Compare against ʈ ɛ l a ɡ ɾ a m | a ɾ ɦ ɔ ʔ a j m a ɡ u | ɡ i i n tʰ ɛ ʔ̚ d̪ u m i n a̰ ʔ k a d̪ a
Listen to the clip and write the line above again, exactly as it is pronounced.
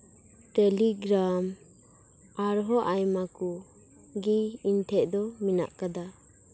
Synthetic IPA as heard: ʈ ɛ l i ɡ ɾ a m | a ɾ ɦ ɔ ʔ a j m a k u | ɡ i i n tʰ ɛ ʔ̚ d̪ ɔ m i n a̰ ʔ k a d̪ a

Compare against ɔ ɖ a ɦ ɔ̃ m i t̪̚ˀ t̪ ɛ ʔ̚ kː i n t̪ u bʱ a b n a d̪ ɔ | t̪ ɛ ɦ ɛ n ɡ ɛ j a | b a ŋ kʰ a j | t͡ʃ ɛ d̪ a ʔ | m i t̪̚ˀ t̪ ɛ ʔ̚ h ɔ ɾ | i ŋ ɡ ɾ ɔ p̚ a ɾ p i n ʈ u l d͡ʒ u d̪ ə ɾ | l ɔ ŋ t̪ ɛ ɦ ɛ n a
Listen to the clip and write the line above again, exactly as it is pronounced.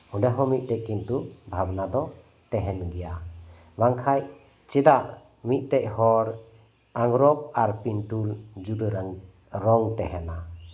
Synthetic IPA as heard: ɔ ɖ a ɦ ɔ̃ m i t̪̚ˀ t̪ ɛ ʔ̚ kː i n t̪ u bʱ a b n a d̪ ɔ | t̪ ɛ ɦ ɛ n ɡ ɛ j a | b a ŋ kʰ a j | t͡ʃ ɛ d̪ a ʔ | m i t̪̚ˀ t̪ ɛ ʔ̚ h ɔ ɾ | a ŋ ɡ ɾ ɔ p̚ a ɾ p i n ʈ u l d͡ʒ u d̪ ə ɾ | ɾ ɔ ŋ t̪ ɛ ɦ ɛ n a

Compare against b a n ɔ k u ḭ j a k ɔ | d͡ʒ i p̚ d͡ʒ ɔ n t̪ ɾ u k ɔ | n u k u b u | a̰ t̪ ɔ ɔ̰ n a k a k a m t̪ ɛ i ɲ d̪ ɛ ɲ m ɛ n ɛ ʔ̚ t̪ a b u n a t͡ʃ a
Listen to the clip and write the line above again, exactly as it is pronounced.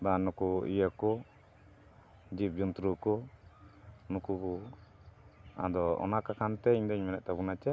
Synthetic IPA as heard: b a n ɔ k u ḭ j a k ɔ | d͡ʒ i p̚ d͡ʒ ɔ n t̪ ɾ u k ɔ | n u k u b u | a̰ d̪ ɔ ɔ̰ n a k a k a n t̪ ɛ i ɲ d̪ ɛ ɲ m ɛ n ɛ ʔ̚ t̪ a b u n a t͡ʃ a

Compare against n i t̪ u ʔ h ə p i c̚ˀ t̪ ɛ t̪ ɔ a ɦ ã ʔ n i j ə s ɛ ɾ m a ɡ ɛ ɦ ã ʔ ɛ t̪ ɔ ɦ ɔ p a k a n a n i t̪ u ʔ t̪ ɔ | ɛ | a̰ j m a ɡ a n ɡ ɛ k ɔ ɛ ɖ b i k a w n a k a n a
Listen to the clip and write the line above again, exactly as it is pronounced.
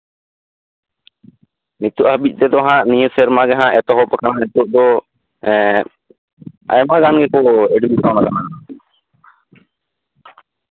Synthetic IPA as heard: n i t̪ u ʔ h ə b i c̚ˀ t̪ ɛ d̪ ɔ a ɦ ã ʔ n i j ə s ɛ ɾ m a ɡ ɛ ɦ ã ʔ ɛ t̪ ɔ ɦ ɔ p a k a n a n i t̪ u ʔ d̪ ɔ | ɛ | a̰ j m a ɡ a n ɡ ɛ k ɔ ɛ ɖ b i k a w n a k a n a

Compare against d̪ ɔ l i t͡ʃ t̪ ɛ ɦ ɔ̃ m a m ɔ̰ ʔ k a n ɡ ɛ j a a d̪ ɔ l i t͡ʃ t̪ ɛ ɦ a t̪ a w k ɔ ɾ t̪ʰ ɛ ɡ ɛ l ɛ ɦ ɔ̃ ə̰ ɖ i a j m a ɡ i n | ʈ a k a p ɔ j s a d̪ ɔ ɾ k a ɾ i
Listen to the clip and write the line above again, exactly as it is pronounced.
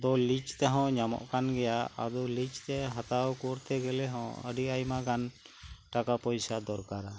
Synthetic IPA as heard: d̪ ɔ l i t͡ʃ t̪ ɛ ɦ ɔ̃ ɲ a m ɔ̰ ʔ k a n ɡ ɛ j a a d̪ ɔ l i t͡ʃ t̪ ɛ ɦ a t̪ a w k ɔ ɾ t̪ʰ ɛ ɡ ɛ l ɛ ɦ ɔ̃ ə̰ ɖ i a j m a ɡ a n | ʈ a k a p ɔ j s a d̪ ɔ ɾ k a ɾ a

